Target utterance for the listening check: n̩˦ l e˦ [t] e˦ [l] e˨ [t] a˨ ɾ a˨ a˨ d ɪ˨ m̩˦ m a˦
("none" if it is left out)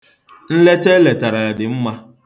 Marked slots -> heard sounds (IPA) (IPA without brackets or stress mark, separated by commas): t, l, t